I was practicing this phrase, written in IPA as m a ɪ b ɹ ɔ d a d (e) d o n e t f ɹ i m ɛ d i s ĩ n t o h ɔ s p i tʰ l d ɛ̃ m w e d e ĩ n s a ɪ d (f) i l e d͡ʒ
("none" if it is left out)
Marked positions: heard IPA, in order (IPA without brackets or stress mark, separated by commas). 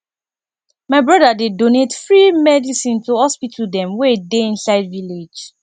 e, v